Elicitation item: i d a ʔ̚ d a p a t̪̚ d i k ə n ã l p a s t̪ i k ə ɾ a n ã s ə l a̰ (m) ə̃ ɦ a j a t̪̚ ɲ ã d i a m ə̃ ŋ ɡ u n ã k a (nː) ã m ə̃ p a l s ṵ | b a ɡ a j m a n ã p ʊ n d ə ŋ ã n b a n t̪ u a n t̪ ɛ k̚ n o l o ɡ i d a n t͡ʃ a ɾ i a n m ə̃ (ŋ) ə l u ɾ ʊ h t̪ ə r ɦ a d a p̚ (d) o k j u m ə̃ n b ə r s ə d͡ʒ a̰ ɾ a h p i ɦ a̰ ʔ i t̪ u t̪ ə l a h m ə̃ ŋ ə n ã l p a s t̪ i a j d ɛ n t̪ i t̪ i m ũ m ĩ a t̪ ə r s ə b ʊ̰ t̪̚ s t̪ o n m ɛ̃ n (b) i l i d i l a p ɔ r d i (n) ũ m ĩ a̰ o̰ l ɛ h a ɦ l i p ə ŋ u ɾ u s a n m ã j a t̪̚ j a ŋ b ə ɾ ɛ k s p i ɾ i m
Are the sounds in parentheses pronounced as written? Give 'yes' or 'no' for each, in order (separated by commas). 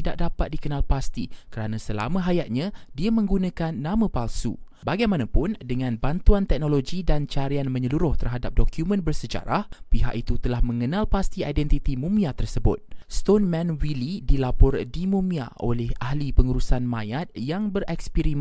yes, yes, no, yes, no, no